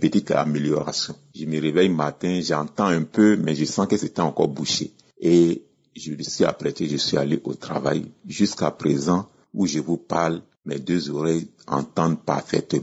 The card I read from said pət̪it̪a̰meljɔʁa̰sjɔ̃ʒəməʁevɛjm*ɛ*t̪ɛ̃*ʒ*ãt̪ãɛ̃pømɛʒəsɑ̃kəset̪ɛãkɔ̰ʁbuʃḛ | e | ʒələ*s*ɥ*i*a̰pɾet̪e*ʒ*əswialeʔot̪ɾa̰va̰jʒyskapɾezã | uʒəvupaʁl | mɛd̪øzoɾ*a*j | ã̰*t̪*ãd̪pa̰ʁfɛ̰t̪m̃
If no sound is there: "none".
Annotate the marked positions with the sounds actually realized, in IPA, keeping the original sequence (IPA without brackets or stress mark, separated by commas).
a, ʒ, s, i, ʒ, ɛ, t̪